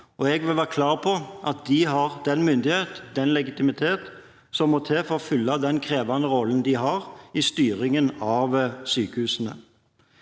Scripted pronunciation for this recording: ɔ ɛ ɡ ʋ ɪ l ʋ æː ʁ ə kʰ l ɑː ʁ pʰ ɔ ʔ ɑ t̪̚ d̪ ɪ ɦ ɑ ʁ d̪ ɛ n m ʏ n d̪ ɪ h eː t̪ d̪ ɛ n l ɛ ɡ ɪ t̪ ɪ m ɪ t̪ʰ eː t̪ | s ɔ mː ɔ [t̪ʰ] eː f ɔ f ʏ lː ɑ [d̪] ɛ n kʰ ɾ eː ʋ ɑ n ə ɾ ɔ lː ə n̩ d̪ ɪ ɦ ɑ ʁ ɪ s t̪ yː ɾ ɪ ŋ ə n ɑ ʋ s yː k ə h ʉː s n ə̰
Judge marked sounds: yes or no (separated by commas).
yes, yes